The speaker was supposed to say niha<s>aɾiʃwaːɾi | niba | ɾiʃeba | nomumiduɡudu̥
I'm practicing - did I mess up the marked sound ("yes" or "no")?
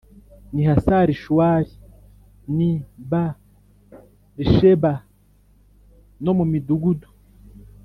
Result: no